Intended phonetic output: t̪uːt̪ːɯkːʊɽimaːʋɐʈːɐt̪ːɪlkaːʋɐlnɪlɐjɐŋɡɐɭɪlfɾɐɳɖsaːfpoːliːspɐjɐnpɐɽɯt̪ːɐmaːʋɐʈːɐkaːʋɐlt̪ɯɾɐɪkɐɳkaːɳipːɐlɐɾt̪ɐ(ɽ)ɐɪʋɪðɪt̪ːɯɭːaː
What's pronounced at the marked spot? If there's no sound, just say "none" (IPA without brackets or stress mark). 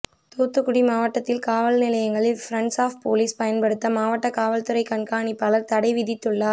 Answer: ɽ